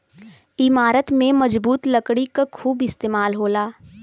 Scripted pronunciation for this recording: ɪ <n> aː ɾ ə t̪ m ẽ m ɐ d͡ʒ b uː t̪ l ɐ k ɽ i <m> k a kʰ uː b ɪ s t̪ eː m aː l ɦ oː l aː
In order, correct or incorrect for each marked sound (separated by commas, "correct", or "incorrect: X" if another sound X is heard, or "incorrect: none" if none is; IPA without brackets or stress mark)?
incorrect: m, incorrect: none